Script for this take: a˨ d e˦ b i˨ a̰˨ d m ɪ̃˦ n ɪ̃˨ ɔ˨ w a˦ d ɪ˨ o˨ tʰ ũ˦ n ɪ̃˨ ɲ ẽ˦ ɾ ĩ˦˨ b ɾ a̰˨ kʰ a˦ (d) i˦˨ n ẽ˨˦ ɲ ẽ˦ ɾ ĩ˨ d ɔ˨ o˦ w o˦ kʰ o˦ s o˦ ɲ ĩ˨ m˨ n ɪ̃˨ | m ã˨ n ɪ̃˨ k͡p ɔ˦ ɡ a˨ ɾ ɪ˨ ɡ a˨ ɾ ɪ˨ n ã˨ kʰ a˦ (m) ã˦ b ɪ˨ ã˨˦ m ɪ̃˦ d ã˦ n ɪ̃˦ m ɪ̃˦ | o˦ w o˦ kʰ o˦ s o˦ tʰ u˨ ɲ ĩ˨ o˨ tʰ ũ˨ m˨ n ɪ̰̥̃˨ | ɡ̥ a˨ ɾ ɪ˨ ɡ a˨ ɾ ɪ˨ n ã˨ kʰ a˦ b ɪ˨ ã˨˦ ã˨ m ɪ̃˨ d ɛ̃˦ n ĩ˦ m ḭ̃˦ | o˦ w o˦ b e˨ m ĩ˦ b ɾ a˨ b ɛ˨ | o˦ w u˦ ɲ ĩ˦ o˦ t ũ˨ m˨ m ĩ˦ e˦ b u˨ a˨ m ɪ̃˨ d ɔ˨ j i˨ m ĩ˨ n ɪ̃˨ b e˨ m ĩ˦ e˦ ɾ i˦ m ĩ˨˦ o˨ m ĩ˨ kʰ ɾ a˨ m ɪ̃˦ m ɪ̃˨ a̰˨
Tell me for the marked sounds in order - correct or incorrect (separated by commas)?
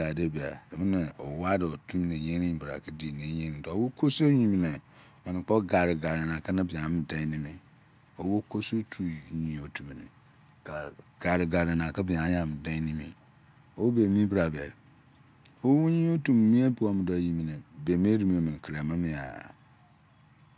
correct, incorrect